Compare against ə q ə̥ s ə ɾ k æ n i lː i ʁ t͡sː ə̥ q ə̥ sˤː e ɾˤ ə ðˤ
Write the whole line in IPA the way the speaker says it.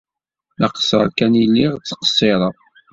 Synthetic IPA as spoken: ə q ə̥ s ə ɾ k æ n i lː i ʁ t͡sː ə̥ q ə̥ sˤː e ɾˤ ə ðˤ